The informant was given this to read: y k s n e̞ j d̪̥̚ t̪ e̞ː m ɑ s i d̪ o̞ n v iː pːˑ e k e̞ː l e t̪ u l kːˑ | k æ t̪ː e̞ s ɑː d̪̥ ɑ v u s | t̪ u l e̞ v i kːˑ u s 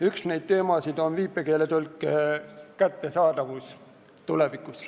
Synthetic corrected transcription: y k s n e̞ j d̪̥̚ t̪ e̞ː m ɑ s i d̪ o̞ n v iː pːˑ e k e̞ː l e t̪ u l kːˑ | k æ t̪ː e̞ s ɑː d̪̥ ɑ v u s | t̪ u l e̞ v i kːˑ u s